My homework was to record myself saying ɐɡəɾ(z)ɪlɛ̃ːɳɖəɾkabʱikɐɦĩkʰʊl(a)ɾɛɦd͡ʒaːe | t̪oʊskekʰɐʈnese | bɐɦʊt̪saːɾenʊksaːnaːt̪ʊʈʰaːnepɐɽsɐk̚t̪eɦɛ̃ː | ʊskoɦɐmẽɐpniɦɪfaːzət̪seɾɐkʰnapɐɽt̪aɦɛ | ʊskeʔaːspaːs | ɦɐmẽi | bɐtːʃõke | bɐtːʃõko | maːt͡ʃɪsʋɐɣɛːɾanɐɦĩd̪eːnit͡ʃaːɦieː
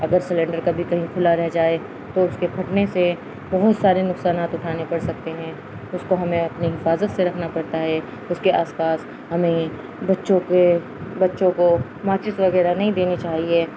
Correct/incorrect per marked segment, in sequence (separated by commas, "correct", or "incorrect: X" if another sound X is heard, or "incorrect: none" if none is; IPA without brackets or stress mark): incorrect: s, correct